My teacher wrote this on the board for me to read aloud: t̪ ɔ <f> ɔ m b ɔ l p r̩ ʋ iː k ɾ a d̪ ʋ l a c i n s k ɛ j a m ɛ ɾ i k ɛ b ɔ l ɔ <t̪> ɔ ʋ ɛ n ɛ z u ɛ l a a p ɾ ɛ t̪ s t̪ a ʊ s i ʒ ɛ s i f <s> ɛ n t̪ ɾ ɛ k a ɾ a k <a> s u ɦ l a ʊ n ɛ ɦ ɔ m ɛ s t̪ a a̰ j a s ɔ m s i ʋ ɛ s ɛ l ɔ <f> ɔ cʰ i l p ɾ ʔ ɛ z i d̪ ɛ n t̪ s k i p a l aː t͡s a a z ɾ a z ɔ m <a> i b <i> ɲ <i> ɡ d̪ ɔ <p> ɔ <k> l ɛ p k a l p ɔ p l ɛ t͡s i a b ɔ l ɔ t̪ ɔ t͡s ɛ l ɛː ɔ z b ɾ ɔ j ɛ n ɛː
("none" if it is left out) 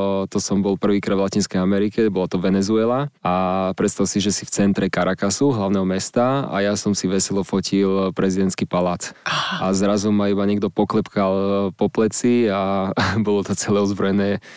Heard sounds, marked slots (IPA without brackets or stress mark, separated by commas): s, t̪, t͡s, a, f, a, a, ɛ, p, k